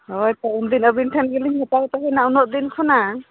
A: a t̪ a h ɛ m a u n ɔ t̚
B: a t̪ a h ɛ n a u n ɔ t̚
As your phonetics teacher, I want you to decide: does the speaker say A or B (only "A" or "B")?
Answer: B